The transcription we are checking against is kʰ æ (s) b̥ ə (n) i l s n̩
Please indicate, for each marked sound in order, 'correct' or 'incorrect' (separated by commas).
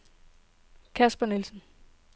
correct, correct